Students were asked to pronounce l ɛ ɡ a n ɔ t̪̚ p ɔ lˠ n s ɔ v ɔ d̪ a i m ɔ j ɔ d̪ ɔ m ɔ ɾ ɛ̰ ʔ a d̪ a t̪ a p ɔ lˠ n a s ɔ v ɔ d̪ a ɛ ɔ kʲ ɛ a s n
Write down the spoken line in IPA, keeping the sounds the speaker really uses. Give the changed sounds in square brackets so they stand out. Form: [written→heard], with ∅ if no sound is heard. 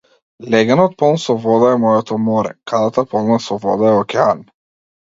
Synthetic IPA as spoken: l ɛ ɡ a n ɔ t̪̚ p ɔ lˠ n s ɔ v ɔ d̪ a [i→ɛ] m ɔ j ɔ [d̪→t̪] ɔ m ɔ ɾ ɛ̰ [ʔ→k] a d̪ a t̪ a p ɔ lˠ n a s ɔ v ɔ d̪ a ɛ ɔ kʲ ɛ a [s→∅] n